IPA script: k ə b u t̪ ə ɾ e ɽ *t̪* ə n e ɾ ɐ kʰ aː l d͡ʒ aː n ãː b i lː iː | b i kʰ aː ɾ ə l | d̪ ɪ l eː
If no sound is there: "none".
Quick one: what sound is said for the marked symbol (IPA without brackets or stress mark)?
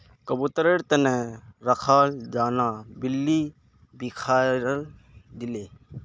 t̪